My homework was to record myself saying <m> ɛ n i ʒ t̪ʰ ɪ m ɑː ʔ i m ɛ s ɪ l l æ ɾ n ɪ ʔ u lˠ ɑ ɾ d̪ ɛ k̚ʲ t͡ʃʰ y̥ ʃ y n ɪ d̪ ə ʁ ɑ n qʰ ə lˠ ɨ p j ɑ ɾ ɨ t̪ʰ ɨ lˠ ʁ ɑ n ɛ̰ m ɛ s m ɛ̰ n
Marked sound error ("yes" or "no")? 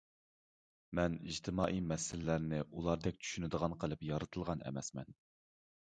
no